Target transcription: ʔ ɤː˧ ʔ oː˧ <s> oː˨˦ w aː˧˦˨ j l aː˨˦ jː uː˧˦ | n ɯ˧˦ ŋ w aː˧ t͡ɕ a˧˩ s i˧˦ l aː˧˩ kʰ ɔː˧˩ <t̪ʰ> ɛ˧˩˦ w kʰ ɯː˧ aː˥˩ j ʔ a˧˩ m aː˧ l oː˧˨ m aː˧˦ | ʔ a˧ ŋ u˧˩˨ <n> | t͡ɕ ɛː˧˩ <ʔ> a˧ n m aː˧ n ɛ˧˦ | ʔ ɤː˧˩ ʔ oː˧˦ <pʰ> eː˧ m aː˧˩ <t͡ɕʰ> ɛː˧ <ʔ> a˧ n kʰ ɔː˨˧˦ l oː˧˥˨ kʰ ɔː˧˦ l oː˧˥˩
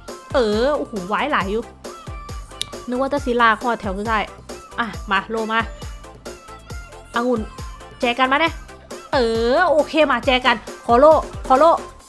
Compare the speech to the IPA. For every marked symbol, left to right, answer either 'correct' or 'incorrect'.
incorrect: h, correct, correct, incorrect: k, incorrect: kʰ, incorrect: t͡ɕ, incorrect: k

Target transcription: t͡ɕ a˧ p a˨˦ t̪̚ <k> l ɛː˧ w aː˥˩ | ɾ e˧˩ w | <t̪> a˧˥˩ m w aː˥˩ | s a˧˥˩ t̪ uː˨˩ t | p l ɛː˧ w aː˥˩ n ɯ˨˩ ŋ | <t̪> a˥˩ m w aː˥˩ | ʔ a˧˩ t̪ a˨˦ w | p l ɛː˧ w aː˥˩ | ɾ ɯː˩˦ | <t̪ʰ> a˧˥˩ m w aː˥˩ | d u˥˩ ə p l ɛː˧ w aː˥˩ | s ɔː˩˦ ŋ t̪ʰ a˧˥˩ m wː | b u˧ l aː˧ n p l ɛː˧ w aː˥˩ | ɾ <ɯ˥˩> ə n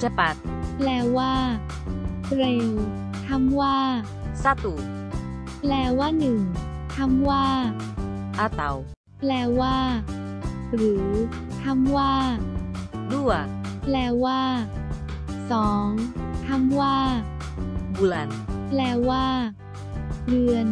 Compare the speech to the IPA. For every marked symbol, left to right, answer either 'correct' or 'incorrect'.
incorrect: p, incorrect: t̪ʰ, incorrect: t̪ʰ, correct, incorrect: ɯ˧

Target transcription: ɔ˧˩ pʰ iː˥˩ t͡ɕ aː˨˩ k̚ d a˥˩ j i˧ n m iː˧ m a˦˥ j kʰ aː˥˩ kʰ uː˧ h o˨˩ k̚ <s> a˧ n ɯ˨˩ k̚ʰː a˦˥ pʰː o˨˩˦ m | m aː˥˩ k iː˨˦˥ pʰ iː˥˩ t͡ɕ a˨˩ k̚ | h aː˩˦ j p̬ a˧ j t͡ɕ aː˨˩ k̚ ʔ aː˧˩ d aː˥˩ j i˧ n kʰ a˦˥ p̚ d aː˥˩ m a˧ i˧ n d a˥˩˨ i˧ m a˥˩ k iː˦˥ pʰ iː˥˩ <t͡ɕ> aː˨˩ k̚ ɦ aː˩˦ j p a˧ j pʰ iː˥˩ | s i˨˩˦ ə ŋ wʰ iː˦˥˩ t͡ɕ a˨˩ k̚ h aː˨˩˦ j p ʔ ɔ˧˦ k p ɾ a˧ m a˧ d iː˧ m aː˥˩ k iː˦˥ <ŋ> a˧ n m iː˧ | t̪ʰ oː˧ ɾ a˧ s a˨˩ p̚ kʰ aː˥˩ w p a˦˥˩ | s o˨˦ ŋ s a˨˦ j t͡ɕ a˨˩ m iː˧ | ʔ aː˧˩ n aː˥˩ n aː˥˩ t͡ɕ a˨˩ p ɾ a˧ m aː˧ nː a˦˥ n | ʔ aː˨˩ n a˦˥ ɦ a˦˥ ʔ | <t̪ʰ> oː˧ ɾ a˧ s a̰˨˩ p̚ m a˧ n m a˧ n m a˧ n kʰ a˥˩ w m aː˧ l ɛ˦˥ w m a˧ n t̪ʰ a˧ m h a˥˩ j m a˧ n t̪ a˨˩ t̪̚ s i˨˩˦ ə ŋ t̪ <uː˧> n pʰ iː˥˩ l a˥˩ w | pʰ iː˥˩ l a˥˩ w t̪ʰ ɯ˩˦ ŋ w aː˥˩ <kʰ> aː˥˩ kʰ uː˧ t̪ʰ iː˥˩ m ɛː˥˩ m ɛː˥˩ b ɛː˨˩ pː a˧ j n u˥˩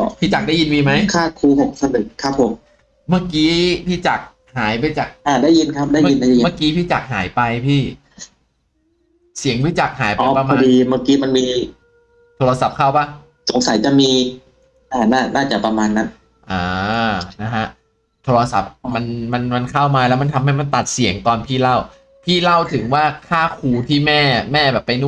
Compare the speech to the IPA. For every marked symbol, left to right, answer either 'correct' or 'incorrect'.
correct, correct, incorrect: m, correct, incorrect: ɔː˧, correct

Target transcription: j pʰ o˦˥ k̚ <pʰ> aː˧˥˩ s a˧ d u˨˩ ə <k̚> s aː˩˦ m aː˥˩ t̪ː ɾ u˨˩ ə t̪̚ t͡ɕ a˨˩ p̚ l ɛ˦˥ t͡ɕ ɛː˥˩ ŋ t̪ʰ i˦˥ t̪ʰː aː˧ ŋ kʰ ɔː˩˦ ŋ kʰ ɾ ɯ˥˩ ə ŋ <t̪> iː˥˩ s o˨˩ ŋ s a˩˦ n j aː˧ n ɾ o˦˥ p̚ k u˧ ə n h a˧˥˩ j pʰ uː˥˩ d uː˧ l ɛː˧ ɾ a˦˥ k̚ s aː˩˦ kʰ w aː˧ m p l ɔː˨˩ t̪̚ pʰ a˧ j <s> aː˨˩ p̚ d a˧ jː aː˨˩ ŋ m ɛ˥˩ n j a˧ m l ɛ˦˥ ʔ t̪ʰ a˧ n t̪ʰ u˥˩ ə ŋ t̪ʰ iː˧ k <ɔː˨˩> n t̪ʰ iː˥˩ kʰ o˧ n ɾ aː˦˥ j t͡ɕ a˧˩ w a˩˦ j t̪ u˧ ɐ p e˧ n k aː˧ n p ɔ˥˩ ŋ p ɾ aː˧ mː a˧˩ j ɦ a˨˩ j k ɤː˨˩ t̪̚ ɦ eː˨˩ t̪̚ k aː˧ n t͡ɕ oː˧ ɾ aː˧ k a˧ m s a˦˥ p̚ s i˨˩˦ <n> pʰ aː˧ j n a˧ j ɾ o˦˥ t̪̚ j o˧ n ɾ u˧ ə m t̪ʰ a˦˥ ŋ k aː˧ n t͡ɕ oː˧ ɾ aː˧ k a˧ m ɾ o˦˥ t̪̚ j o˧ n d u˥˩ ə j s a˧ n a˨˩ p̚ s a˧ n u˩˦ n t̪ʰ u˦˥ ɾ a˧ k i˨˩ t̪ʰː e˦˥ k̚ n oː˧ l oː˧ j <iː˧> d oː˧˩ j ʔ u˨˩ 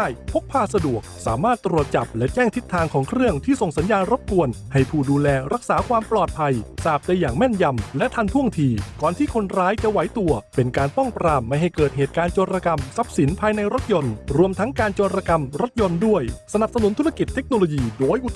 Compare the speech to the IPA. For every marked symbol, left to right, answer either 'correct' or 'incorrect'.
correct, correct, incorrect: t̪ʰ, correct, correct, correct, correct

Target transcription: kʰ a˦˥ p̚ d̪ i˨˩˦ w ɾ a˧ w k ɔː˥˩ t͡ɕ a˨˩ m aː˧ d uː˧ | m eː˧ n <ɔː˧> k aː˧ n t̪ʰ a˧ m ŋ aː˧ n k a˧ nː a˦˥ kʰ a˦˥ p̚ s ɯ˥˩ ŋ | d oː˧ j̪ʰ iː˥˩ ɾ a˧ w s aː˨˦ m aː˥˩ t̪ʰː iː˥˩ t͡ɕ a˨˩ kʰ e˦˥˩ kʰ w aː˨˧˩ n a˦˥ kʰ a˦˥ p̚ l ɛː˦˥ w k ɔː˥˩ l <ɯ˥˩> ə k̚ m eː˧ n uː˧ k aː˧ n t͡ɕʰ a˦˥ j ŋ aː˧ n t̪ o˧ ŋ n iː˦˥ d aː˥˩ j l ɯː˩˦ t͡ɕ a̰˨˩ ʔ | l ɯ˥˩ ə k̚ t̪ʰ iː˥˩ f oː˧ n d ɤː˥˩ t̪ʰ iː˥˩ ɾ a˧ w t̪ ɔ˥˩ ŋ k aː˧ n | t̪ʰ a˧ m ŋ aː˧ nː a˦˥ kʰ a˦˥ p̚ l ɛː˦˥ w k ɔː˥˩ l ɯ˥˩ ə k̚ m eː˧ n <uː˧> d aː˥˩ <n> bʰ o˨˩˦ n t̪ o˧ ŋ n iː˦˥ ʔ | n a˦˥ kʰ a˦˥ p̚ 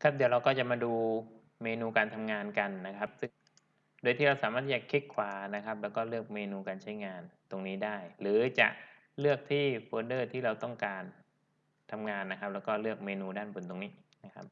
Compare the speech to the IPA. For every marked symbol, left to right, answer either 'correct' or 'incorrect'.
incorrect: uː˧, correct, correct, correct

